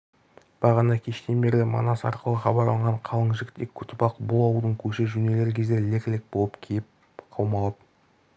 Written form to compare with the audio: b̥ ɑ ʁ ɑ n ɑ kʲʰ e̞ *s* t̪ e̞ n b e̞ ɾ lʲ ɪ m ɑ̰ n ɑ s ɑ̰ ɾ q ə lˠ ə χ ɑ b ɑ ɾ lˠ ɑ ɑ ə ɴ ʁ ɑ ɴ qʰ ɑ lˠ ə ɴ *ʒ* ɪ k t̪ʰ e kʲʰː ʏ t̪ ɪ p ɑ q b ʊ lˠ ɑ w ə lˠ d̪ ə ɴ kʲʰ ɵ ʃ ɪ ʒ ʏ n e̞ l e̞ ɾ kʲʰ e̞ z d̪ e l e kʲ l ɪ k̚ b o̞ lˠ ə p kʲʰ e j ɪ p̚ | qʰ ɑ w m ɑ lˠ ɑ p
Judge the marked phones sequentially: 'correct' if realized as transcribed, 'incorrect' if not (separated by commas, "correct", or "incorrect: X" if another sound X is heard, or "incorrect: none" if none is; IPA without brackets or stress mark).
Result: incorrect: ʃ, correct